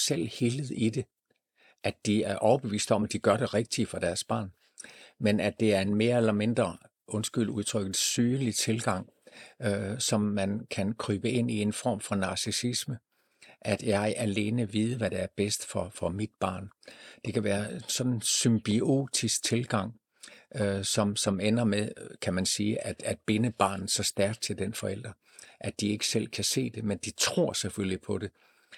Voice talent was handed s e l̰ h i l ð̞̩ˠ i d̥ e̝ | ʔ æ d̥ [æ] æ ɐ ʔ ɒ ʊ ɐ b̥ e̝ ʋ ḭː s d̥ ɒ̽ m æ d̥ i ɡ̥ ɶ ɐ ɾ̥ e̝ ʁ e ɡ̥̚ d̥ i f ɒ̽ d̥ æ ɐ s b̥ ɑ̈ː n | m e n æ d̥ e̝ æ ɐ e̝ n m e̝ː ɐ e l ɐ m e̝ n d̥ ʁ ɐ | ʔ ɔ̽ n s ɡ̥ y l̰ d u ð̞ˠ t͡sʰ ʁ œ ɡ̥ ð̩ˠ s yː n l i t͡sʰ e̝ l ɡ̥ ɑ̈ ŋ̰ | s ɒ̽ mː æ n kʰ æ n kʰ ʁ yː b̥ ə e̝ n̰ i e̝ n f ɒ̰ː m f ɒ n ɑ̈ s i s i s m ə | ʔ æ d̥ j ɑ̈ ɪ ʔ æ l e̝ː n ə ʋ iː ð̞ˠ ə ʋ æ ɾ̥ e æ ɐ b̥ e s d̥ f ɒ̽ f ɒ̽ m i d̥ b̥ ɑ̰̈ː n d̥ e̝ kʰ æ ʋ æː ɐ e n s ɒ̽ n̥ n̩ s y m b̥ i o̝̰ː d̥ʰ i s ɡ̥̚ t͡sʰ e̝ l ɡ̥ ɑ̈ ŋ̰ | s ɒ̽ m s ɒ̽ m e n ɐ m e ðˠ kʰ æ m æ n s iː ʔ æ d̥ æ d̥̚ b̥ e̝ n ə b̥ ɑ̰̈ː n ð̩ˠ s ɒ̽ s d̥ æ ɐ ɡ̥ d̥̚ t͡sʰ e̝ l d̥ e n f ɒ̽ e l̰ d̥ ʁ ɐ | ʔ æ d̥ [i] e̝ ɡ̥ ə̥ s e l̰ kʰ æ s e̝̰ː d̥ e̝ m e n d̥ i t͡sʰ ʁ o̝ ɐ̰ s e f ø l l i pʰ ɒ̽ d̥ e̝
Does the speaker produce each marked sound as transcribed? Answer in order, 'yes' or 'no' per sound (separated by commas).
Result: no, yes